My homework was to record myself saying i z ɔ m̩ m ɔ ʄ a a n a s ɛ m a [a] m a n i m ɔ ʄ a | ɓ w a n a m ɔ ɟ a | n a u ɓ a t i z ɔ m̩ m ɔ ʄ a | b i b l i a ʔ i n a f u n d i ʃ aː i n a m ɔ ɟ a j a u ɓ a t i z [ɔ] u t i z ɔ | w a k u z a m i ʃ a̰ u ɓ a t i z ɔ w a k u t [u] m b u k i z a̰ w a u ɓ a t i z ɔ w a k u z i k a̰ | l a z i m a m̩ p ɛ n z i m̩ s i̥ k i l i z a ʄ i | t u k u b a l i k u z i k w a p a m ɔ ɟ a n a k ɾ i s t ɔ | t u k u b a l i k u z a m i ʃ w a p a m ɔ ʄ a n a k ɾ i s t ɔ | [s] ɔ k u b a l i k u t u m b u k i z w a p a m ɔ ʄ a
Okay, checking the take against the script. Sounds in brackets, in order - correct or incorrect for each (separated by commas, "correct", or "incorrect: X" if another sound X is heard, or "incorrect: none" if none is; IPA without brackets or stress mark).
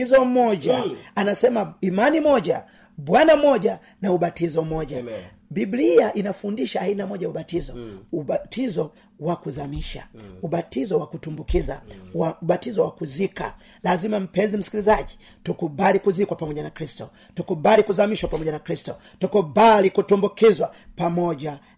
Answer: incorrect: i, correct, correct, incorrect: t